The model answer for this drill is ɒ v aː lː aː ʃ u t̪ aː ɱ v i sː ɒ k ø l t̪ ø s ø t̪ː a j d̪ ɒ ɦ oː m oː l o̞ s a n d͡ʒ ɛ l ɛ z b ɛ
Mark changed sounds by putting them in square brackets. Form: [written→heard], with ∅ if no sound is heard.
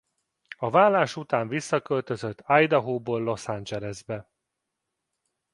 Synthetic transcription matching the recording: ɒ v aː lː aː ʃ u t̪ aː ɱ v i sː ɒ k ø l t̪ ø [s→z] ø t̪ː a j d̪ ɒ ɦ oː [m→b] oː [l→lː] o̞ s a n d͡ʒ ɛ l ɛ z b ɛ